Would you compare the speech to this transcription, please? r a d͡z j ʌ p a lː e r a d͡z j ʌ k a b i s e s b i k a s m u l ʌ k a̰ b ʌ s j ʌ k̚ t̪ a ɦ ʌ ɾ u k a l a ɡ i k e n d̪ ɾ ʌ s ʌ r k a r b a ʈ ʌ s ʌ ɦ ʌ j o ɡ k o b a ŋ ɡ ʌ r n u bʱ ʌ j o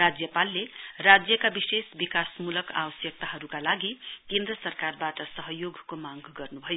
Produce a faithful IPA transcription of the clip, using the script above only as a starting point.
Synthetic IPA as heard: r a d͡z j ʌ p a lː e r a d͡z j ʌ k a b i s e s b i k a s m u l ʌ k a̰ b ʌ s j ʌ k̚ t̪ a ɦ ʌ ɾ u k a l a ɡ i k e n d̪ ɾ ʌ s ʌ r k a r b a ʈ ʌ s ʌ ɦ ʌ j o ɡ k o m a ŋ ɡ ʌ r n u bʱ ʌ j o

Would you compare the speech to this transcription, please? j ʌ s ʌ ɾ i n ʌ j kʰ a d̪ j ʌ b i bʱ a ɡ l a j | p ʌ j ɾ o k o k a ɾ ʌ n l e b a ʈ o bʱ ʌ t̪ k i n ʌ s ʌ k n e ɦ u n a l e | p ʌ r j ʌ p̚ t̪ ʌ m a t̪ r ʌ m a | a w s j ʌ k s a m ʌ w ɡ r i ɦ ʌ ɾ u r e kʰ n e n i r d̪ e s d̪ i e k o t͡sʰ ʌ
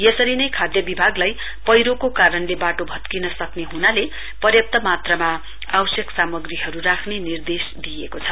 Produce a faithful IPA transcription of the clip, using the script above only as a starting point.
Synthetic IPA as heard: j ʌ s ʌ ɾ i n ʌ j kʰ a d̪ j ʌ b i bʱ a ɡ l a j | p ʌ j ɾ o k o k a ɾ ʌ n l e b a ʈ o bʱ ʌ t̪ k i n ʌ s ʌ k n e ɦ u n a l e | p ʌ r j ʌ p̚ t̪ ʌ m a t̪ r ʌ m a | a w s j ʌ k s a m ʌ ɡ r i ɦ ʌ ɾ u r a kʰ n e n i r d̪ e s d̪ i e k o t͡sʰ ʌ

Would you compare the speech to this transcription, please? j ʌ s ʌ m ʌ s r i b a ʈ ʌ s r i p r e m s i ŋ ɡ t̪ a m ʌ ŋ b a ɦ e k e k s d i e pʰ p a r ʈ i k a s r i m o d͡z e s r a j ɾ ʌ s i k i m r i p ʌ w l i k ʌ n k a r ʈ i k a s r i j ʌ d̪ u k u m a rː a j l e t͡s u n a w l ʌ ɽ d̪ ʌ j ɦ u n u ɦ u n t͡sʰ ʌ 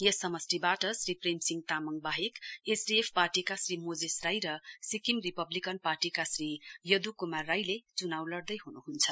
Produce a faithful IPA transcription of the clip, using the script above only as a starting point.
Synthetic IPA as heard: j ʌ s ʌ m ʌ s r i b a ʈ ʌ s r i p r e m s i ŋ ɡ t̪ a m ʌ ŋ b a ɦ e k e s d i e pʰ p a r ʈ i k a s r i m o d͡z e s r a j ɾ ʌ s i k i m r i p ʌ b l i k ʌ n p a r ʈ i k a s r i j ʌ d̪ u k u m a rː a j l e t͡s u n a w l ʌ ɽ d̪ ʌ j ɦ u n u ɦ u n t͡sʰ ʌ

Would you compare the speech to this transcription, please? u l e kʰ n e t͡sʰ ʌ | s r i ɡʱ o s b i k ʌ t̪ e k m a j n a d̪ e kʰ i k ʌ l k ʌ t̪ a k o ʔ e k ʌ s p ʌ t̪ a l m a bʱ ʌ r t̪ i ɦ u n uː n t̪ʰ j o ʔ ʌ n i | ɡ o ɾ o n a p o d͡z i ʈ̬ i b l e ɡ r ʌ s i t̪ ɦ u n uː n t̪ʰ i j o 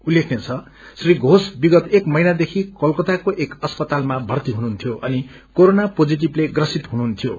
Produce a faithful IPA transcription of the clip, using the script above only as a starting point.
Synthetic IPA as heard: u l e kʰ n e t͡sʰ ʌ | s r i ɡʱ o s b i ɡ ʌ t̪ e k m ʌ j n a d̪ e kʰ i k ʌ l k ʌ t̪ a k o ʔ e k ʌ s p ʌ t̪ a l m a bʱ ʌ r t̪ i ɦ u n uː n t̪ʰ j o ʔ ʌ n i | k o ɾ o n a p o d͡z i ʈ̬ i b l e ɡ r ʌ s i t̪ ɦ u n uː n t̪ʰ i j o

